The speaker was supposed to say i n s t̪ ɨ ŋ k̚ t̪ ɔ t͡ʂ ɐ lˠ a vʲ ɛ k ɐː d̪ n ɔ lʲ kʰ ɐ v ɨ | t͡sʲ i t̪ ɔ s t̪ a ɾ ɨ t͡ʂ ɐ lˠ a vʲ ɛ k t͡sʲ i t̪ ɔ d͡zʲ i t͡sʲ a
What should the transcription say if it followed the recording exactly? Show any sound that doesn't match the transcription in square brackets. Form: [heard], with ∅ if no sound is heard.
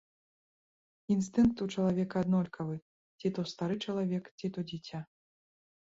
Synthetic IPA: i n s t̪ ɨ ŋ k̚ t̪ [u] t͡ʂ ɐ lˠ a vʲ ɛ k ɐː d̪ n ɔ lʲ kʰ ɐ v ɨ | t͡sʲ i t̪ ɔ s t̪ a ɾ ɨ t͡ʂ ɐ lˠ a vʲ ɛ k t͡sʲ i t̪ ɔ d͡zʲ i t͡sʲ a